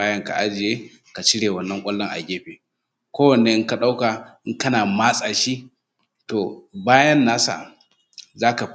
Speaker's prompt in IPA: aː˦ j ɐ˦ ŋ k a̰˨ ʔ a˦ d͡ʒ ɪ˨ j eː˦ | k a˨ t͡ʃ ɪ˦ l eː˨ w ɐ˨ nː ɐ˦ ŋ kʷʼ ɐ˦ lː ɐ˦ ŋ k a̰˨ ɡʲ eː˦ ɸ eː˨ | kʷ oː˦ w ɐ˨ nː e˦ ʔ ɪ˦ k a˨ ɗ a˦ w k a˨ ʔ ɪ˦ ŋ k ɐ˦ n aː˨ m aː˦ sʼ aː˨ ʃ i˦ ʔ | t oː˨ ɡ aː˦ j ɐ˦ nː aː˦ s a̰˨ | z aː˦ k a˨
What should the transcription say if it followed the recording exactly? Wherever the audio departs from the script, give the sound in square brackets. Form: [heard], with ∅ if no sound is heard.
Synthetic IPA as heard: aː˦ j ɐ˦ ŋ k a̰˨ ʔ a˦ d͡ʒ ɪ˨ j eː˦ | k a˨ t͡ʃ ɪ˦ [ɽ] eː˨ w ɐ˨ nː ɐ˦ ŋ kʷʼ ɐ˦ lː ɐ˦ ŋ [ʔ] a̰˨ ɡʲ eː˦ ɸ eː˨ | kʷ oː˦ w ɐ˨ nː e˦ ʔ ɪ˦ k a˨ ɗ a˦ w k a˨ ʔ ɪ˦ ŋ k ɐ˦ n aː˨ m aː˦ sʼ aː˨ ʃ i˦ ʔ | t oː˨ [b] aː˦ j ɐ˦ nː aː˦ s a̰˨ | z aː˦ k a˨